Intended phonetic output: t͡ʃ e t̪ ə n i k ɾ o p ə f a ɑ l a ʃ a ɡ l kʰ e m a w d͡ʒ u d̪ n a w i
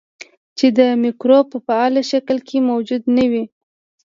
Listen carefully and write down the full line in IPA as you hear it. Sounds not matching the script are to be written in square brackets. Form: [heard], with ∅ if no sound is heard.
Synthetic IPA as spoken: t͡ʃ e [d̪] ə [m] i k ɾ o p ə f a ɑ l a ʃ a [k] l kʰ e m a w d͡ʒ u d̪ n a w i